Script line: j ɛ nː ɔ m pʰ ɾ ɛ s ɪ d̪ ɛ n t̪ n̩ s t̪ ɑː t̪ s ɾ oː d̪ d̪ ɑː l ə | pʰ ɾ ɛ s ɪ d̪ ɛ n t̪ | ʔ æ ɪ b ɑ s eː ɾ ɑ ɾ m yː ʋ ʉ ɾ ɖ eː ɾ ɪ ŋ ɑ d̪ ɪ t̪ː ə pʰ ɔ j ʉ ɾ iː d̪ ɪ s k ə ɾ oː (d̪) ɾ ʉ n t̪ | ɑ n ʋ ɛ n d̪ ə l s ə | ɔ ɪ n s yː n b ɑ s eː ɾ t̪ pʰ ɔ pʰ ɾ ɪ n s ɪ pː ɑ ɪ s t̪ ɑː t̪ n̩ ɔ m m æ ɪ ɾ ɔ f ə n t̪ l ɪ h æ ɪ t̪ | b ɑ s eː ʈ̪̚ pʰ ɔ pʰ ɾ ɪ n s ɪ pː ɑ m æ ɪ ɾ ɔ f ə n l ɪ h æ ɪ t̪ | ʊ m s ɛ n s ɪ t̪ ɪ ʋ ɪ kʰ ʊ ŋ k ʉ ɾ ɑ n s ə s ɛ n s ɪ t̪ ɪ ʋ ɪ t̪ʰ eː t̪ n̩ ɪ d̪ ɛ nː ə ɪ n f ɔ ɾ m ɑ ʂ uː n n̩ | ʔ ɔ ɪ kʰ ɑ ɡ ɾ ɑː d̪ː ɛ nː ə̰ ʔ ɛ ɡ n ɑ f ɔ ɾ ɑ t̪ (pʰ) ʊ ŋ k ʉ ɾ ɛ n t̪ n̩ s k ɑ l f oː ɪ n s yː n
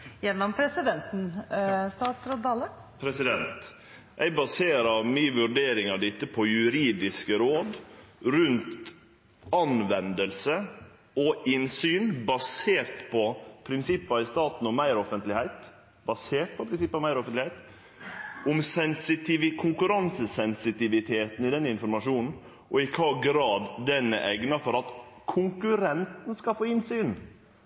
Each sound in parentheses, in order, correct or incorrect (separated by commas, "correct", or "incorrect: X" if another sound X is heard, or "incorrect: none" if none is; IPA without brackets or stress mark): correct, incorrect: kʰ